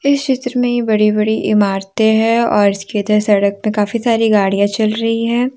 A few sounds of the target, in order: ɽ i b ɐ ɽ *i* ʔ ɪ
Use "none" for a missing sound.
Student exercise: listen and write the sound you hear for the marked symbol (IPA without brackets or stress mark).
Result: i